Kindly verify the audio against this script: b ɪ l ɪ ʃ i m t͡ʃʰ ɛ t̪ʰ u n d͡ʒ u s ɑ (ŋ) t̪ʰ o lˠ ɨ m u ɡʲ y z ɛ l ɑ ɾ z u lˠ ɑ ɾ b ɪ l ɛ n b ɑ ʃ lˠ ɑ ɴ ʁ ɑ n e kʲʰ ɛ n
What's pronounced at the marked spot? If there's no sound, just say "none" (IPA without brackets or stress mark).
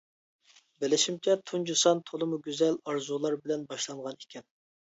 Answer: n